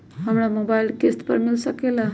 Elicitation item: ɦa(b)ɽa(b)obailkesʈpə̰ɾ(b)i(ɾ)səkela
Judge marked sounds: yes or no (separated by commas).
no, no, no, no